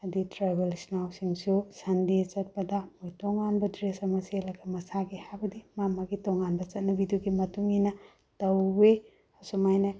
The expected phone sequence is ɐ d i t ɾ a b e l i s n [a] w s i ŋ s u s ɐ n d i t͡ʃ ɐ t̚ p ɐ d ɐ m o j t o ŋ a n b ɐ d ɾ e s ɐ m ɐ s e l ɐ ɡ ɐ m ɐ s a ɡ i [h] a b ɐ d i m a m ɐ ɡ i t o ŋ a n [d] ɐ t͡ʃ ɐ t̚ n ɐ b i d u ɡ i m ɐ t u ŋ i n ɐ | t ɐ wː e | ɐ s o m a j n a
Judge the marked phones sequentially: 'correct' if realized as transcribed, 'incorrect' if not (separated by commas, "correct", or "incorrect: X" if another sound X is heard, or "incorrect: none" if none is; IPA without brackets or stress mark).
correct, correct, incorrect: b